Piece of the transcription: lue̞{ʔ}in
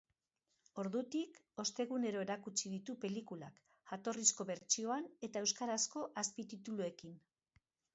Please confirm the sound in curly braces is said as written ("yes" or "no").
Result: no